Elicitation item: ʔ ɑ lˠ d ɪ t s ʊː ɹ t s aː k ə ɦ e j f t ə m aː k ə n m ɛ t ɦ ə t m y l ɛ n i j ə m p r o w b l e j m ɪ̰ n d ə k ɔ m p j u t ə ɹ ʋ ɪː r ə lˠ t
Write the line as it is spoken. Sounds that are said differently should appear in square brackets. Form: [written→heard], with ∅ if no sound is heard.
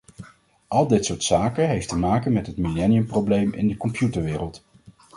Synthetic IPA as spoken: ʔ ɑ lˠ d ɪ t s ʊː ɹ t s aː k ə ɦ e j f t ə m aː k ə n m ɛ t ɦ ə t m [y→i] l ɛ n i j ə m p r o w b l e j m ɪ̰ n d ə k ɔ m p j u t ə ɹ ʋ ɪː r ə lˠ t